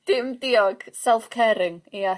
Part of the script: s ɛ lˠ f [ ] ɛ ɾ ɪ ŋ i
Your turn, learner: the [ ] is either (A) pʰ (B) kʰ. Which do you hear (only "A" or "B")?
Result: B